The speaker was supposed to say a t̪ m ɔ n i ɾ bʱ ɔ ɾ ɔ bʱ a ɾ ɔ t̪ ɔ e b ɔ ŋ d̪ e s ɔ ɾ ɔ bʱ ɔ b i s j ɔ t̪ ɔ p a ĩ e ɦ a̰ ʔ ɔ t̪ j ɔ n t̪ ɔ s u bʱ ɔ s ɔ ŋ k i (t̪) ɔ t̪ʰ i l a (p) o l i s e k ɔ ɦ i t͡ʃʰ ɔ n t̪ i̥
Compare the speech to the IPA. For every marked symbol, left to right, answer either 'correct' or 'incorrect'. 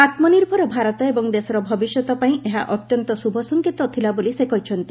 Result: correct, incorrect

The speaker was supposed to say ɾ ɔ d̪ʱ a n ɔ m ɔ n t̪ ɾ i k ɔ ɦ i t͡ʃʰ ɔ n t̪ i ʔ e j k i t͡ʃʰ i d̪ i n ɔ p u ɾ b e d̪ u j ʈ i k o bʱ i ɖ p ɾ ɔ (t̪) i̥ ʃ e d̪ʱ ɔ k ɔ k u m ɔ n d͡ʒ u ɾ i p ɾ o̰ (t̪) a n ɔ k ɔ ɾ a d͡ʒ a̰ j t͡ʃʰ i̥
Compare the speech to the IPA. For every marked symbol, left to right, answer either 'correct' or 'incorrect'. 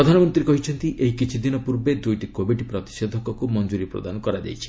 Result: correct, incorrect

